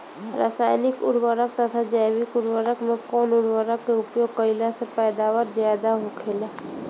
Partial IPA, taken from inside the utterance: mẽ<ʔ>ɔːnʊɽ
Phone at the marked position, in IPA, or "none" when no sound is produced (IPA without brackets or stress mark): k